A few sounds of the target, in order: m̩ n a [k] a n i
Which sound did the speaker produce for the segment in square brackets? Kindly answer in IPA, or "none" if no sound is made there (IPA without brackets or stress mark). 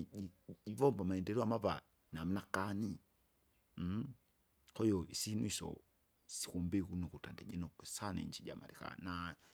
k